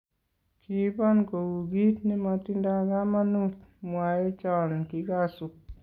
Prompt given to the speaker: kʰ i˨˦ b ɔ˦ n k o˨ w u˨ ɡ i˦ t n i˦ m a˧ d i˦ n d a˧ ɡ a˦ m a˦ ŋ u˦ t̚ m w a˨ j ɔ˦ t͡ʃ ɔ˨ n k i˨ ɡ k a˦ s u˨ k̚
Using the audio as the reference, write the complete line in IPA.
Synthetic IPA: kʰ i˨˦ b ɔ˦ n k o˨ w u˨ ɡ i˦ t n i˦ m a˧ t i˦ n d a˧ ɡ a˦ m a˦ n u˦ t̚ m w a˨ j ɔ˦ t͡ʃ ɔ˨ n k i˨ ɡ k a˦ s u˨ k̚